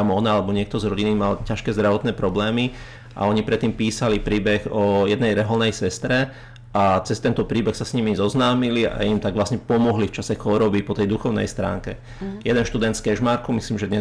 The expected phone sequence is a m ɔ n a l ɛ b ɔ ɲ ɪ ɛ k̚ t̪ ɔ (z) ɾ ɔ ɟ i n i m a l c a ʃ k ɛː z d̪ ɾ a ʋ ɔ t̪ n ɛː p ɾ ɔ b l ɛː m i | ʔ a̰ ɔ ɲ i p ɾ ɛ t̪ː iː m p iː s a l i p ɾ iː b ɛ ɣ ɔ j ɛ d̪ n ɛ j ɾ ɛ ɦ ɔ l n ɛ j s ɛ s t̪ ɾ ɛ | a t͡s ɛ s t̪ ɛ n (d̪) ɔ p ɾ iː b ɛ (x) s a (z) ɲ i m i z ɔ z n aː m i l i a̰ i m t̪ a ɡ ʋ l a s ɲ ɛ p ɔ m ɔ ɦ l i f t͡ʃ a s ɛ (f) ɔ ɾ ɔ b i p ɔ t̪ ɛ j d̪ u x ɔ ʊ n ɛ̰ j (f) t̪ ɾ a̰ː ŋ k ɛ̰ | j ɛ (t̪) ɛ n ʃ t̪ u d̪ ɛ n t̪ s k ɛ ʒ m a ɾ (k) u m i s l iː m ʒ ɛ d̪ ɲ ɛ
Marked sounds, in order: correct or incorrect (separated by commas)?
correct, incorrect, correct, incorrect, incorrect, incorrect, incorrect, correct